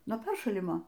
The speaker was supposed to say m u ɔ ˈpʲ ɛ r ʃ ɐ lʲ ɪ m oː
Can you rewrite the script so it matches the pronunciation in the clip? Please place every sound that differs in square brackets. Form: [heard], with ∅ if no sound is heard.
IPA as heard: [n] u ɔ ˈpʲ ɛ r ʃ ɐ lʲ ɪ m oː